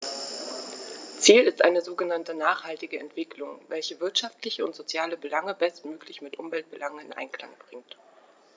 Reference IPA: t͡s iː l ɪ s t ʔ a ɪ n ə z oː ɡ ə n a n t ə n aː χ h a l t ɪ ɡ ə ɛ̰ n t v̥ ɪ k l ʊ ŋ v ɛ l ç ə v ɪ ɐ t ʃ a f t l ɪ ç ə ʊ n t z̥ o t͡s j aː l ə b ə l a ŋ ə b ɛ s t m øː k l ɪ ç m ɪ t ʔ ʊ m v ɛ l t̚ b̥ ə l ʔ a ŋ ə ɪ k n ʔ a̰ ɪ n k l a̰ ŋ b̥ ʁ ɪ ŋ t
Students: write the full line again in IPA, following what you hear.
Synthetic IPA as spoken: t͡s iː l ɪ s t ʔ a ɪ n ə z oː ɡ ə n a n t ə n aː χ h a l t ɪ ɡ ə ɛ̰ n t v̥ ɪ k l ʊ ŋ v ɛ l ç ə v ɪ ɐ t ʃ a f t l ɪ ç ə ʊ n t z̥ o t͡s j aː l ə b ə l a ŋ ə b ɛ s t m øː k l ɪ ç m ɪ t ʔ ʊ m v ɛ l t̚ b̥ ə l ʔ a ŋ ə ɪ n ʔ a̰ ɪ n k l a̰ ŋ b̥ ʁ ɪ ŋ t